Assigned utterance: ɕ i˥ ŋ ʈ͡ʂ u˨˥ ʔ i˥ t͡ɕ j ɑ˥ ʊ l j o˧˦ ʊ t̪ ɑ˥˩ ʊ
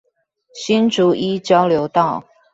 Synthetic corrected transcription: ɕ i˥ n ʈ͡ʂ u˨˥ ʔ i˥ t͡ɕ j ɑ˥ ʊ l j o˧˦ ʊ t̪ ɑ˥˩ ʊ